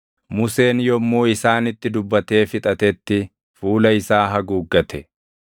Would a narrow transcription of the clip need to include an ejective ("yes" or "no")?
yes